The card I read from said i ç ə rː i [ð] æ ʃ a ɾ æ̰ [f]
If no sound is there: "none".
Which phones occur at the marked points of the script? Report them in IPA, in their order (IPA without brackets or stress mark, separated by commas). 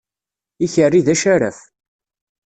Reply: ð, f